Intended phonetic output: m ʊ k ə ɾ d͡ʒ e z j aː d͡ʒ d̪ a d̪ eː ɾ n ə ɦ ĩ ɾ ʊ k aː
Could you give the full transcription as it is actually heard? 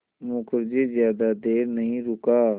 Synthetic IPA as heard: m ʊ k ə ɾ d͡ʒ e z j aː d̪ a d̪ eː ɾ n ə ɦ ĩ ɾ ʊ k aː